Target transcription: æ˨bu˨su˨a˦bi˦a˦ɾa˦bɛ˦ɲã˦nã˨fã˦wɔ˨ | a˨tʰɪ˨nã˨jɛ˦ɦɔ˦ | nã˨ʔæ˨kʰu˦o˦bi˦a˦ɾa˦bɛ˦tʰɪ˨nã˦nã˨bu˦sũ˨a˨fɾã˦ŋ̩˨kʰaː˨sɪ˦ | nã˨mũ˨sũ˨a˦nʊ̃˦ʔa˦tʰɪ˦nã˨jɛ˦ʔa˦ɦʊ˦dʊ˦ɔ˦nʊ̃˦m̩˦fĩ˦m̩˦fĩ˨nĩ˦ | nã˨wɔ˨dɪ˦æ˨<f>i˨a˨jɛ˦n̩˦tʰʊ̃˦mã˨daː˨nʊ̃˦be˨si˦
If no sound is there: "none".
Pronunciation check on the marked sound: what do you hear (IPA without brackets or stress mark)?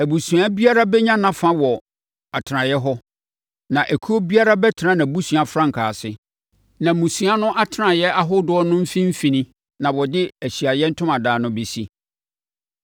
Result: ɕ